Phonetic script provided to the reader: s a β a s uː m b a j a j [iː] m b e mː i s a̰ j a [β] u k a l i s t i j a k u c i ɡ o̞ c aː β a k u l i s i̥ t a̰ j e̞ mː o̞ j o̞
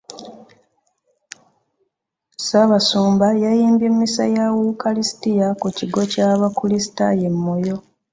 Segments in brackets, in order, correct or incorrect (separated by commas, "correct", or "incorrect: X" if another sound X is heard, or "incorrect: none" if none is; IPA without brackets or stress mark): correct, incorrect: w